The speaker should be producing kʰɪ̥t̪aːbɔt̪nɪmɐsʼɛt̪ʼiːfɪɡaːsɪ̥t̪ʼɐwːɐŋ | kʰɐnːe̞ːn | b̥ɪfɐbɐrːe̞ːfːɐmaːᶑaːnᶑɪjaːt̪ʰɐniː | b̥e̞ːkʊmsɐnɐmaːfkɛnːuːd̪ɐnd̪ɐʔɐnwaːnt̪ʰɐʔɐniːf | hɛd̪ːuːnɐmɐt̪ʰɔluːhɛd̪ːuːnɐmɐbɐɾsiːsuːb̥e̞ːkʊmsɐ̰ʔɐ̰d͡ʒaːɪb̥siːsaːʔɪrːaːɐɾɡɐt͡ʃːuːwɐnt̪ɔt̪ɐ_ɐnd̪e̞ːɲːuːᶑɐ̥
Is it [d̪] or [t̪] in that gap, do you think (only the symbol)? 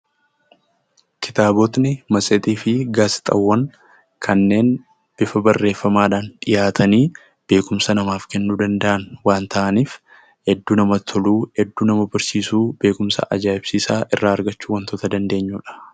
d̪